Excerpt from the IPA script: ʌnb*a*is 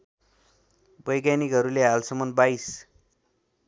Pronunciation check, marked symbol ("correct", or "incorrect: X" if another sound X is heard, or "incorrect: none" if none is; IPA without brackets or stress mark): correct